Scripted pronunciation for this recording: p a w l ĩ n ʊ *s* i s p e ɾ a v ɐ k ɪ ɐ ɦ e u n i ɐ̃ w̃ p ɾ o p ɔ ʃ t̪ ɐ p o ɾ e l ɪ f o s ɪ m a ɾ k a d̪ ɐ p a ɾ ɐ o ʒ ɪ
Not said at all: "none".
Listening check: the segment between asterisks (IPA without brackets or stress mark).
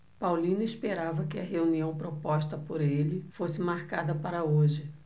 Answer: none